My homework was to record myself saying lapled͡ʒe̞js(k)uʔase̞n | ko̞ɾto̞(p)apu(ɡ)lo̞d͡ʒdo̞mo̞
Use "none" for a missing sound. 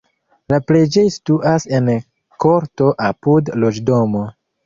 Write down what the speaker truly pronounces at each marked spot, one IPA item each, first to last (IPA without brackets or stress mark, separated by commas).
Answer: t, ʔ, d